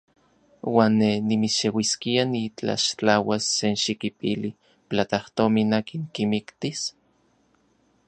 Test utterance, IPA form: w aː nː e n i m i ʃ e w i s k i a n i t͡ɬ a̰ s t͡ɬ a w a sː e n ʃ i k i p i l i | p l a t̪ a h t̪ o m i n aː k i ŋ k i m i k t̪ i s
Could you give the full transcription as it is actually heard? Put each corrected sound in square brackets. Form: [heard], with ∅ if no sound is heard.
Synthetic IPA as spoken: w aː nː e n i m i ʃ e w i s k i a n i t͡ɬ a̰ [ʃ] t͡ɬ a w a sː e n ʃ i k i p i l i | p l a t̪ a h t̪ o m i n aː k i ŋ k i m i k t̪ i s

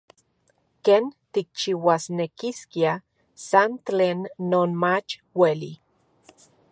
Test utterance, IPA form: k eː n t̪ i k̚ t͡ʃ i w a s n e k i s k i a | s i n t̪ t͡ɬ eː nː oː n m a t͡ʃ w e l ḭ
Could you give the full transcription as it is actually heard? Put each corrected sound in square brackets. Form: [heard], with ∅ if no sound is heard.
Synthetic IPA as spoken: k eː n t̪ i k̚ t͡ʃ i w a s n e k i s k i a | s [a] n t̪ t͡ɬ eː nː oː n m a t͡ʃ w e l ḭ

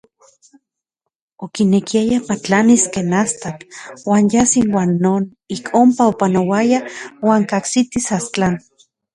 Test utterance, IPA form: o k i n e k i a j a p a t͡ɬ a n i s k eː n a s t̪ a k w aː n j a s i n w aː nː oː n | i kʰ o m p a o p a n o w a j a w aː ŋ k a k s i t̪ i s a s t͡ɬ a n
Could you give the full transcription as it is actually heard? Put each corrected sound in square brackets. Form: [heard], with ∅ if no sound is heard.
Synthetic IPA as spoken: o k i n e k i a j a p a t͡ɬ a n i s k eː n a s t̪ a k w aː n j a s i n w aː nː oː n | i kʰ o m p a o p a n o w a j a w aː ŋ k a k s i t̪ i s a s t͡ɬ a n

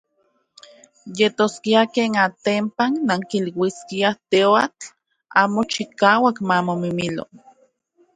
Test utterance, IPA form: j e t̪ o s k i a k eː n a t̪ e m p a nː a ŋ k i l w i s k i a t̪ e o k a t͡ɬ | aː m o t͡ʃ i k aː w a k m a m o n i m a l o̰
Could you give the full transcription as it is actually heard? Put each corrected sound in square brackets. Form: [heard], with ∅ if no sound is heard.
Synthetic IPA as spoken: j e t̪ o s k i a k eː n a t̪ e m p a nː a ŋ k i l w i s k i a t̪ e o [∅] a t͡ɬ | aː m o t͡ʃ i k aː w a k m a m o [m] i m [i] l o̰

